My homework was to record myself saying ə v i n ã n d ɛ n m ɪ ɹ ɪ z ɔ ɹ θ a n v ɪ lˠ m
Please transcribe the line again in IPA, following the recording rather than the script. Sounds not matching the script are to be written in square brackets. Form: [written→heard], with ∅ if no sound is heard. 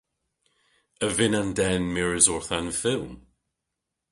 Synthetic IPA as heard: ə v [i→ɪ] n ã n d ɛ n m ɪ ɹ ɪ z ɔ ɹ θ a n [v→f] ɪ lˠ m

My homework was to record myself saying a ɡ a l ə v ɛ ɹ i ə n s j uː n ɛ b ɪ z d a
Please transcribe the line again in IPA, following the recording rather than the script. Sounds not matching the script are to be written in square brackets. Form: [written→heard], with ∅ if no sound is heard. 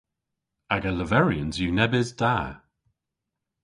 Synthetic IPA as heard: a ɡ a l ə v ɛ ɹ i ə n [s→z] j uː n ɛ b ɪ z d a

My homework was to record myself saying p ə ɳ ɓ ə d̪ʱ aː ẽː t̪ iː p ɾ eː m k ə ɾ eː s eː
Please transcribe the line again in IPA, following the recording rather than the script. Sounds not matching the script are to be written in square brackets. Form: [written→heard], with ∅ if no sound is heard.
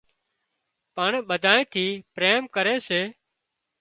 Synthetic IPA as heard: p ə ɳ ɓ ə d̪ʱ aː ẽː [t̪→t̪ʰ] iː p ɾ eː m k ə ɾ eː s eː

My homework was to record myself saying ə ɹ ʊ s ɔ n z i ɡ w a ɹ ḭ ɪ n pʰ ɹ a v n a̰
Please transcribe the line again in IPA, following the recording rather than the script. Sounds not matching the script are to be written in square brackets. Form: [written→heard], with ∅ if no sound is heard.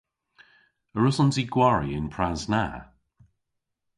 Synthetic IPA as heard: ə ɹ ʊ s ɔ n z i ɡ w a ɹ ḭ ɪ n pʰ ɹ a [v→z] n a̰

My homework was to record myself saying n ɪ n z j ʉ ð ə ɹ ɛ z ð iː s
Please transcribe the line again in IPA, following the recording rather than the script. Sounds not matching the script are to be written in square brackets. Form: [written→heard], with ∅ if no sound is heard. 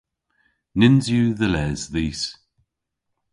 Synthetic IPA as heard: n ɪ n z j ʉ ð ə [ɹ→l] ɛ z ð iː s

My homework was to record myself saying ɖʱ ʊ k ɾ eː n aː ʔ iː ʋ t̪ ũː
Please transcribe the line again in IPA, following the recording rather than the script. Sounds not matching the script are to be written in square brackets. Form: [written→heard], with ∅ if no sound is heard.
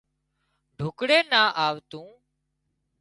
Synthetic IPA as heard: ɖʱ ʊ k [ɾ→ɽ] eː n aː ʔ [iː→aː] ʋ t̪ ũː

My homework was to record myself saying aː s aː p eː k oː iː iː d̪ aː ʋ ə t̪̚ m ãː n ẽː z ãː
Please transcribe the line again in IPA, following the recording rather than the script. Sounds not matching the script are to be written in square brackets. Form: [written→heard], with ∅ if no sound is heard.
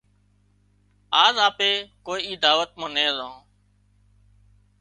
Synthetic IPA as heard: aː [s→z] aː p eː k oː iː iː d̪ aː ʋ ə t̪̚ m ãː n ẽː z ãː

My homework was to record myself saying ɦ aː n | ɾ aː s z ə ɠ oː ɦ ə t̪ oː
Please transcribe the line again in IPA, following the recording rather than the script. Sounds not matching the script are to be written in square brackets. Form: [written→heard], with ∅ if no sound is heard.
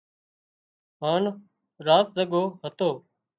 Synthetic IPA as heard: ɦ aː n | ɾ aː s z ə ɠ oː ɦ ə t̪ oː

